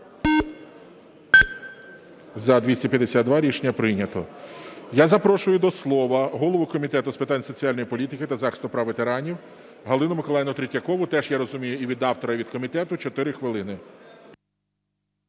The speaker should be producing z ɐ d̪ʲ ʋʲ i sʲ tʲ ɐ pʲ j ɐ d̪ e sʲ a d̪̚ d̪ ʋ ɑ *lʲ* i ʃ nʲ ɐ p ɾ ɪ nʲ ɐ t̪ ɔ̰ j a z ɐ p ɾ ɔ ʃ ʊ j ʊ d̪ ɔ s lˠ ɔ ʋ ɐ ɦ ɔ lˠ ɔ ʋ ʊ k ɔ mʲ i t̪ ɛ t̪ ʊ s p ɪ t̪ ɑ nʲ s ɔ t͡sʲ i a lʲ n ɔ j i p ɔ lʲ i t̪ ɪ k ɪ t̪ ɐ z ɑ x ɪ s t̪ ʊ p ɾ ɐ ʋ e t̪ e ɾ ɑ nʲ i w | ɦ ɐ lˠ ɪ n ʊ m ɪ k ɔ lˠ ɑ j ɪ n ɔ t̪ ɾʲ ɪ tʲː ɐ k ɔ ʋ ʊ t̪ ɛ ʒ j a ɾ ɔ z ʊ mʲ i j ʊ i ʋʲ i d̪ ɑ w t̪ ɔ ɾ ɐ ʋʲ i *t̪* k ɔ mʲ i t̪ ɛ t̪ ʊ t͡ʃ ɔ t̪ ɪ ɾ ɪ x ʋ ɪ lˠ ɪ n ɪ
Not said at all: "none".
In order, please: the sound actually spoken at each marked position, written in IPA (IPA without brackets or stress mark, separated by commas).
ɾʲ, d̪